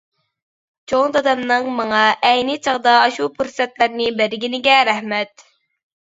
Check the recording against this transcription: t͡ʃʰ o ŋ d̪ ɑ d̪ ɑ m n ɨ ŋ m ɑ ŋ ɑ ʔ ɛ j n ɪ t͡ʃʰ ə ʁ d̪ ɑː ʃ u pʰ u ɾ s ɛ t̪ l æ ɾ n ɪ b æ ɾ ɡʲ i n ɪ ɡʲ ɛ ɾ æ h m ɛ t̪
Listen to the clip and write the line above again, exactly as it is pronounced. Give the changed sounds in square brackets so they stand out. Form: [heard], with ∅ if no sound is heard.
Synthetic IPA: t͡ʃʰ o ŋ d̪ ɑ d̪ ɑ m n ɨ ŋ m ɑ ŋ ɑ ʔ ɛ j n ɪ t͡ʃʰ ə ʁ d̪ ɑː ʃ u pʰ u ɾ s ɛ t̪ l æ ɾ n ɪ b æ ɾ ɡʲ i n ɪ ɡʲ ɛ ɾ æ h m ɛ t̪